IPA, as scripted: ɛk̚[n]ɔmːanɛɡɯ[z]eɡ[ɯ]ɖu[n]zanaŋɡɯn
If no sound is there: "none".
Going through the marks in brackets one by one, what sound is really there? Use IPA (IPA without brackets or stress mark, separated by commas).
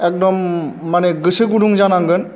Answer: d, s, u, ŋ